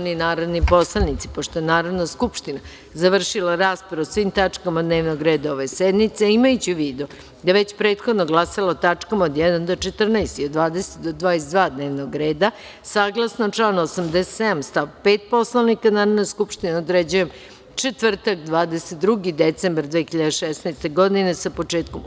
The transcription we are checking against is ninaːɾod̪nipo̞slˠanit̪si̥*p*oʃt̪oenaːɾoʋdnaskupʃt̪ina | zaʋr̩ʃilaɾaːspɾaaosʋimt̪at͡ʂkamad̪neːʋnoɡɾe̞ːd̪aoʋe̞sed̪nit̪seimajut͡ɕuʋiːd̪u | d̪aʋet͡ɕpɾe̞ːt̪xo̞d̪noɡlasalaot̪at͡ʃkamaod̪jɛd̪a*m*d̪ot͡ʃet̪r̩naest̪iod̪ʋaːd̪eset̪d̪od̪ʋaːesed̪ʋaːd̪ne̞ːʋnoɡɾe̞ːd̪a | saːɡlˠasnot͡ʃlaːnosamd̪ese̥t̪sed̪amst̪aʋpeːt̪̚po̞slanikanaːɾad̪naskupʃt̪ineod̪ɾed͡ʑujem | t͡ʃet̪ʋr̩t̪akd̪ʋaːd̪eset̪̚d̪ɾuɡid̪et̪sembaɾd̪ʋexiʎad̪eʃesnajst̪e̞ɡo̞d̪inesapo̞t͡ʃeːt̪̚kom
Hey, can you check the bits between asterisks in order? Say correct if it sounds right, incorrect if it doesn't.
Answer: correct, incorrect

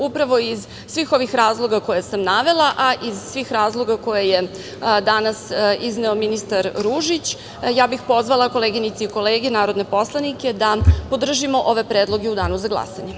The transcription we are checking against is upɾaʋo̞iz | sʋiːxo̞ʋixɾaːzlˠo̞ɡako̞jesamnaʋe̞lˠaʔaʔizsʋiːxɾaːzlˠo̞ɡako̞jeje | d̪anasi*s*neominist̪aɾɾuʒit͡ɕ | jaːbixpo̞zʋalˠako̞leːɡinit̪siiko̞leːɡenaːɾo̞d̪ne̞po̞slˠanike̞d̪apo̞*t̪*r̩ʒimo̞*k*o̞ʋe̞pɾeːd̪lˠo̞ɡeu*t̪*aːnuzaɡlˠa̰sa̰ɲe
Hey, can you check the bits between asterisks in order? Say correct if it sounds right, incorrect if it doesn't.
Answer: incorrect, incorrect, incorrect, incorrect

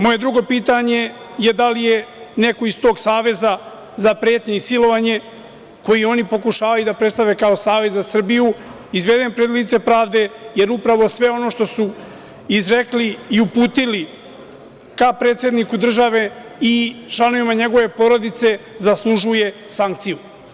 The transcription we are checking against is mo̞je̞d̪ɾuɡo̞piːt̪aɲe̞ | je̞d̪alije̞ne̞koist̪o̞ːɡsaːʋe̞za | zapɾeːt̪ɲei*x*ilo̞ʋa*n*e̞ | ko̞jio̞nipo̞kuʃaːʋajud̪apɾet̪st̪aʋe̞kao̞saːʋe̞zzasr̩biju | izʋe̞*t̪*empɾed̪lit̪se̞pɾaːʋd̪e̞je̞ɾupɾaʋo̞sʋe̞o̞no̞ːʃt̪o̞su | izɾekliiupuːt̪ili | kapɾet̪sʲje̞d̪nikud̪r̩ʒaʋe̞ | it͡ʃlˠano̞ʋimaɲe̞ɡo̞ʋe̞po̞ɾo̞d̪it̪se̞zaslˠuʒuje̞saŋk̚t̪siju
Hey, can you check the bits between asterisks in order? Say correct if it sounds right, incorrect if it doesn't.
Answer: incorrect, incorrect, incorrect

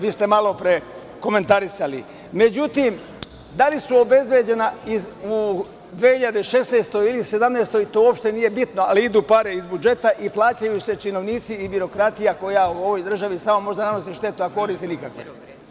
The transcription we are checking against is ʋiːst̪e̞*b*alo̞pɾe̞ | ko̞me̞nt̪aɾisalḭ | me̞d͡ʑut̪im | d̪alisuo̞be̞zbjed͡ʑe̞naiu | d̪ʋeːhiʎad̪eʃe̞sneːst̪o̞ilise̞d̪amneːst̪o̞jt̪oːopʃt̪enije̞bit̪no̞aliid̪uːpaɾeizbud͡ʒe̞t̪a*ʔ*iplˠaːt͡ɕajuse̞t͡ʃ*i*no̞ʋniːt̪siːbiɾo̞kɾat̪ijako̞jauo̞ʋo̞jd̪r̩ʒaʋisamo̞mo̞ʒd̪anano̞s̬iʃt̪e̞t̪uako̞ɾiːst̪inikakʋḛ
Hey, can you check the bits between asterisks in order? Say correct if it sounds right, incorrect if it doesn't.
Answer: incorrect, correct, correct

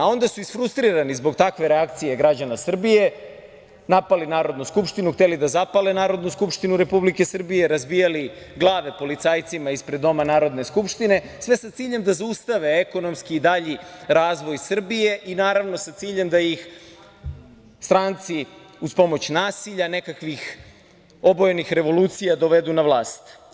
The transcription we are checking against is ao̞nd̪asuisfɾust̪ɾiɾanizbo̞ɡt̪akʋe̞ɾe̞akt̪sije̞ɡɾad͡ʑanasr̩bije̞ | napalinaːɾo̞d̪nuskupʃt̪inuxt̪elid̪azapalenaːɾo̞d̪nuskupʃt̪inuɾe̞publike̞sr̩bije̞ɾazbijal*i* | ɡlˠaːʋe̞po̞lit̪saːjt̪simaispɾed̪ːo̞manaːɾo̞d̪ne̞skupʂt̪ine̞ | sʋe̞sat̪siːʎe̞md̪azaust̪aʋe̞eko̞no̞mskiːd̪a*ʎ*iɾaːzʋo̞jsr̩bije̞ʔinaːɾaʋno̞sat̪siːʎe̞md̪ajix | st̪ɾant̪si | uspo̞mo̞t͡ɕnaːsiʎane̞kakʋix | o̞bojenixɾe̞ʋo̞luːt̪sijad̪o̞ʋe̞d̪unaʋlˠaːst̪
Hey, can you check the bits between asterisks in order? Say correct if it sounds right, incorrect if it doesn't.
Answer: correct, correct

